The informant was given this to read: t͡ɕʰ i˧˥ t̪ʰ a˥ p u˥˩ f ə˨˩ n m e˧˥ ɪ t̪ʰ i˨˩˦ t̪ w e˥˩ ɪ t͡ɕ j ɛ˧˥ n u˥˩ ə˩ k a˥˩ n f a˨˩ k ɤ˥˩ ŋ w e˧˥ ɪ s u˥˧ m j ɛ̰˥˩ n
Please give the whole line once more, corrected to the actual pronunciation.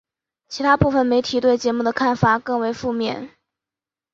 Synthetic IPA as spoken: t͡ɕʰ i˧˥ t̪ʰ a˥ p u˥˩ f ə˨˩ n m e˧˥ ɪ t̪ʰ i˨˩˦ t̪ w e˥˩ ɪ t͡ɕ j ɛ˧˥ m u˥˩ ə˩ kʰ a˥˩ n f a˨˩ k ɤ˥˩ ŋ w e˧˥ ɪ f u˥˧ m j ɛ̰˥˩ n